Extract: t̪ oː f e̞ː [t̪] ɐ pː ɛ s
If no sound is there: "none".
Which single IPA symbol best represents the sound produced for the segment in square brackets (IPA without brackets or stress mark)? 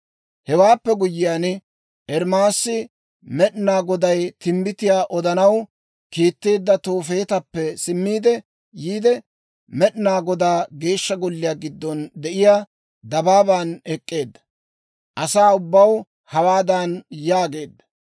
t̪